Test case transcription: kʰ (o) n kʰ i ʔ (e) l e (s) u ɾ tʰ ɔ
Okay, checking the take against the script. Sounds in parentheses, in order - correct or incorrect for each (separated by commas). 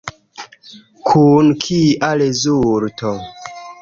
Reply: incorrect, incorrect, incorrect